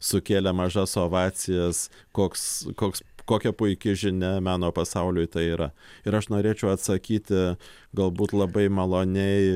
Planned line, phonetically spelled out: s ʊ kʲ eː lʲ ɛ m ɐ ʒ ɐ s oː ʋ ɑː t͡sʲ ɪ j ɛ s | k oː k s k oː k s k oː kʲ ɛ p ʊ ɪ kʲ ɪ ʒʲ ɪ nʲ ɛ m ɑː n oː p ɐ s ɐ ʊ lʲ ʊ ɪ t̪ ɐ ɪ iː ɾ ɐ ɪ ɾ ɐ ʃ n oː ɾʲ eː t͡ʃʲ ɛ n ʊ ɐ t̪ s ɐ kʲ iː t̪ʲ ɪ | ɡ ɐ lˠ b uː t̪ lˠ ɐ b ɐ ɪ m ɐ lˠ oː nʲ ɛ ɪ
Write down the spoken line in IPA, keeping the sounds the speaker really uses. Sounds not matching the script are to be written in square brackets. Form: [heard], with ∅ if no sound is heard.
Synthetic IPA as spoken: s ʊ kʲ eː lʲ ɛ m ɐ ʒ ɐ s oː ʋ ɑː t͡sʲ ɪ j ɛ s | k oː k s k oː k s k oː kʲ ɛ p ʊ ɪ kʲ ɪ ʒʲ ɪ nʲ ɛ m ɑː n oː p ɐ s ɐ ʊ lʲ ʊ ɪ t̪ ɐ ɪ iː ɾ ɐ ɪ ɾ ɐ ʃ n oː ɾʲ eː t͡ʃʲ ɛ [∅] ʊ ɐ t̪ s ɐ kʲ iː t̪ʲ ɪ | ɡ ɐ lˠ b uː t̪ lˠ ɐ b ɐ ɪ m ɐ lˠ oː nʲ ɛ ɪ

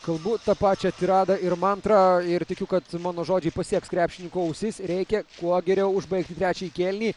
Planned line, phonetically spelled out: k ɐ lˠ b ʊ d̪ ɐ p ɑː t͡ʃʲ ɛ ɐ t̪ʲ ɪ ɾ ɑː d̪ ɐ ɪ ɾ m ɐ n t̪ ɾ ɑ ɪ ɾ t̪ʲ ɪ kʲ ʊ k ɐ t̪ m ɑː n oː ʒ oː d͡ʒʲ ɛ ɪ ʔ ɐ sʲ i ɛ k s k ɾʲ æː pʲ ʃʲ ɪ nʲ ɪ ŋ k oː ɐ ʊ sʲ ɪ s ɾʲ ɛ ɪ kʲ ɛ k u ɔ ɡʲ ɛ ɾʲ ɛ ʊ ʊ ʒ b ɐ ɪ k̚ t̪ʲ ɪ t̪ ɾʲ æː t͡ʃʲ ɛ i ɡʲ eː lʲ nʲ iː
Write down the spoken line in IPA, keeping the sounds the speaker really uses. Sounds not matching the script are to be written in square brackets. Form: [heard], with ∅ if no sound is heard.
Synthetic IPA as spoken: k ɐ lˠ b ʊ [t̪] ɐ p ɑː t͡ʃʲ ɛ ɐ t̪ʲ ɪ ɾ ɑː d̪ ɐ ɪ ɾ m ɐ n t̪ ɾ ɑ ɪ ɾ t̪ʲ ɪ kʲ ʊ k ɐ t̪ m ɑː n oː ʒ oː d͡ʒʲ ɛ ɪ [p] ɐ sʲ i ɛ k s k ɾʲ æː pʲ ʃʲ ɪ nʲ ɪ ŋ k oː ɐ ʊ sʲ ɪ s ɾʲ ɛ ɪ kʲ ɛ k u ɔ ɡʲ ɛ ɾʲ ɛ ʊ ʊ ʒ b ɐ ɪ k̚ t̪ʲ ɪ t̪ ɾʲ æː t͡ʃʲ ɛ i [kʲ] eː lʲ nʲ iː

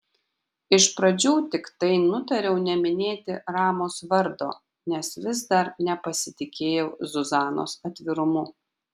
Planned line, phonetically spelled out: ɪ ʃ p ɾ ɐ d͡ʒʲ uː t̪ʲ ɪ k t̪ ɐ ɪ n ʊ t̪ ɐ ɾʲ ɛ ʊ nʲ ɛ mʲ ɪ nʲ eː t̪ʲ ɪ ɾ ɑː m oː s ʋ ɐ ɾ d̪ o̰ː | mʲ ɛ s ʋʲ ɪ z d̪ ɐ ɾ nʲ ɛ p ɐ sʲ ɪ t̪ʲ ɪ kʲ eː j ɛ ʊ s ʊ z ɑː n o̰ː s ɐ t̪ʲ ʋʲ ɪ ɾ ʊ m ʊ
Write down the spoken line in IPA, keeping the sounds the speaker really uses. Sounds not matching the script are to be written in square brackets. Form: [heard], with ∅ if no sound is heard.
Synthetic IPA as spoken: ɪ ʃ p ɾ ɐ d͡ʒʲ uː t̪ʲ ɪ k t̪ ɐ ɪ n ʊ t̪ ɐ ɾʲ ɛ ʊ nʲ ɛ mʲ ɪ nʲ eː t̪ʲ ɪ ɾ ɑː m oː s ʋ ɐ ɾ d̪ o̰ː | [nʲ] ɛ s ʋʲ ɪ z d̪ ɐ ɾ nʲ ɛ p ɐ sʲ ɪ t̪ʲ ɪ kʲ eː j ɛ ʊ [z] ʊ z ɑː n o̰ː s ɐ t̪ʲ ʋʲ ɪ ɾ ʊ m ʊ

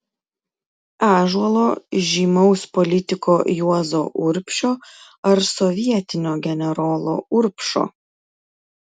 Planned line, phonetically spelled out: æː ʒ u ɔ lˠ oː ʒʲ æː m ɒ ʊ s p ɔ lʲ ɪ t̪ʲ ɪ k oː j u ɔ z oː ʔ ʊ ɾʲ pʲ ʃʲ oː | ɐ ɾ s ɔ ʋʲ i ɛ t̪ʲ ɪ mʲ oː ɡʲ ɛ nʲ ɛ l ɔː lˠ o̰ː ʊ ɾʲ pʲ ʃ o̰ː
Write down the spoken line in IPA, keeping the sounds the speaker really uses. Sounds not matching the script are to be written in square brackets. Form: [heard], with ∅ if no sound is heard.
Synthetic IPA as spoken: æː ʒ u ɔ lˠ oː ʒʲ [iː] m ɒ ʊ s p ɔ lʲ ɪ t̪ʲ ɪ k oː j u ɔ z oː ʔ ʊ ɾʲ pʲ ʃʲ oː | ɐ ɾ s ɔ ʋʲ i ɛ t̪ʲ ɪ [nʲ] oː ɡʲ ɛ nʲ ɛ [ɾ] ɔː lˠ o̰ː ʊ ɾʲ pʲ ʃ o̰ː

